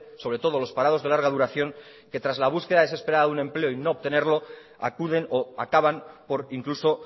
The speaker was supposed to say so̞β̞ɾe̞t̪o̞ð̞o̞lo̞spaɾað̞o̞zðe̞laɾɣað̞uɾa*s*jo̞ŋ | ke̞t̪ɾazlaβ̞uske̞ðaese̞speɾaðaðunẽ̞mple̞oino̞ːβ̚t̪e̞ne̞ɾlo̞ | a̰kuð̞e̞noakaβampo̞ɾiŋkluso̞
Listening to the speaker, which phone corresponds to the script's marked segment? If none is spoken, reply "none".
θ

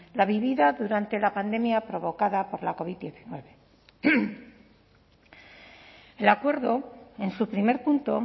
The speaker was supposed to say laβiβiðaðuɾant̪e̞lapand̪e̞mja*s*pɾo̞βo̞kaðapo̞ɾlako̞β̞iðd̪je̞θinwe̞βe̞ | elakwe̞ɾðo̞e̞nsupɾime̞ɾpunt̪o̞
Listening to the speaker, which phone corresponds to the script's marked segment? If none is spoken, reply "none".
none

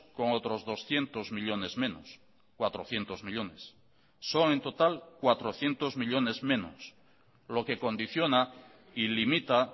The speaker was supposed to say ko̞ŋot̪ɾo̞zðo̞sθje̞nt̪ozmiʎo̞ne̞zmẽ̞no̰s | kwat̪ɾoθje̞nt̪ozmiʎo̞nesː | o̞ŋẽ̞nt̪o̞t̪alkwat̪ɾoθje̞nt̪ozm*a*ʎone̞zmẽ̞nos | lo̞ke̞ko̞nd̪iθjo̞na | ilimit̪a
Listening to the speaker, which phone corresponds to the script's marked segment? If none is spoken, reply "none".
i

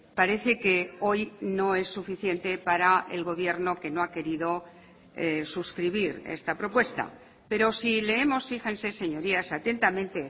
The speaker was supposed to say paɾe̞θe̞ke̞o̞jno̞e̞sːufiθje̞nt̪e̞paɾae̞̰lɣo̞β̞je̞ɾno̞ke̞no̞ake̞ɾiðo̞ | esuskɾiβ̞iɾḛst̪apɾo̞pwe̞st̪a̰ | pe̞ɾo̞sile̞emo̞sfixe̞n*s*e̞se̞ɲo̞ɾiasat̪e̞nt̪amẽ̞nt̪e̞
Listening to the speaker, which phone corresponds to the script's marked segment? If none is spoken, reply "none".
s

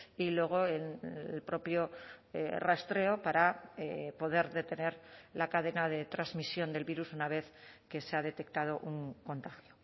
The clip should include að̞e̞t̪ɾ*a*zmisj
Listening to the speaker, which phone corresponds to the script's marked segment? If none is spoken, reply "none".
a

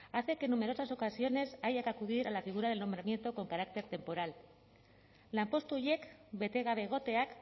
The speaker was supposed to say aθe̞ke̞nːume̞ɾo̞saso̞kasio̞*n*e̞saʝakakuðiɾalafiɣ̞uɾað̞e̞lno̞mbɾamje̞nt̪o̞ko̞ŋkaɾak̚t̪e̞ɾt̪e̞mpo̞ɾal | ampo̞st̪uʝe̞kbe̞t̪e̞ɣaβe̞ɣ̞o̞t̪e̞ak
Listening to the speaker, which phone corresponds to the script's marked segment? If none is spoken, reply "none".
n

